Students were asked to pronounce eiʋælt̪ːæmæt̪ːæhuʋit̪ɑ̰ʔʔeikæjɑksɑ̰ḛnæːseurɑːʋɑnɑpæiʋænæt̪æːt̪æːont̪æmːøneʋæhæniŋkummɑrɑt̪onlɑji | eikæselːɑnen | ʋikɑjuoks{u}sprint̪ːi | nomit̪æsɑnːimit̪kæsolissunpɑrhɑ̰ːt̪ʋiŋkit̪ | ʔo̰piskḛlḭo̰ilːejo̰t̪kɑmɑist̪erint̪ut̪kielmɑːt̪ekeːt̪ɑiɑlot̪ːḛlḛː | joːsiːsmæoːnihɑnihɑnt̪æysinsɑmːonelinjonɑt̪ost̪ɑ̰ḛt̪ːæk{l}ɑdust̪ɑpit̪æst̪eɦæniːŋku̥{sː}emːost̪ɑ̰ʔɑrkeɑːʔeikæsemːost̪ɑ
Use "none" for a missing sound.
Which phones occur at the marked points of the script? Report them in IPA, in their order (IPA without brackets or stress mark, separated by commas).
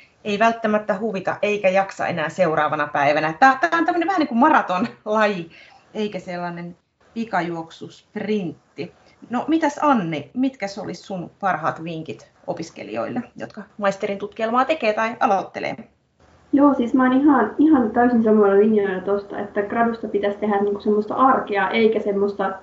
u, r, s